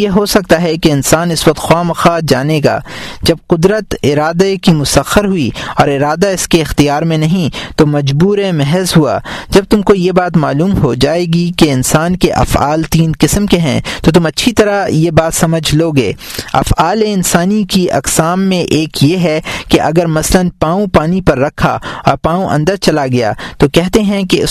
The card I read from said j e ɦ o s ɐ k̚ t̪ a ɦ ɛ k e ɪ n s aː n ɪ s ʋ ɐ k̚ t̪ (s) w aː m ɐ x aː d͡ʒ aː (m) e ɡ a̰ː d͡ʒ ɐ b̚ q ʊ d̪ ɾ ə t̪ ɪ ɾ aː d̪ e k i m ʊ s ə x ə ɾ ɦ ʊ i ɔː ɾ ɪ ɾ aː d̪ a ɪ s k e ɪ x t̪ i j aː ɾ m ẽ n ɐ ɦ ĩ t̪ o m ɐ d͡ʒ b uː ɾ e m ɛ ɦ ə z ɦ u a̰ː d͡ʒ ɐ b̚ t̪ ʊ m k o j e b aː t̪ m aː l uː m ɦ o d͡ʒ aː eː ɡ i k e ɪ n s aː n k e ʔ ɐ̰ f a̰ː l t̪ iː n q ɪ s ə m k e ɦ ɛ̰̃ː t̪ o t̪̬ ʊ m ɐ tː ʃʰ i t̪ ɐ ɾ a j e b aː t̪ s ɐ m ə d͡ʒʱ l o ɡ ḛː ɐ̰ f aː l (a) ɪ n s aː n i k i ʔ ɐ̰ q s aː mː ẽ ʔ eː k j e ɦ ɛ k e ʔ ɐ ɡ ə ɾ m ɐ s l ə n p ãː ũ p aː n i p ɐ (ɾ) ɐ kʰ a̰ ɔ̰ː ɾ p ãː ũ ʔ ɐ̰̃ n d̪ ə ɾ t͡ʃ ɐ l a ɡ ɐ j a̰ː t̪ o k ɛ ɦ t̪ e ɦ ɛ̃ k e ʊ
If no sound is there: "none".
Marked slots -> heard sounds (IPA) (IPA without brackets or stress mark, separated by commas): x, n, e, ɾː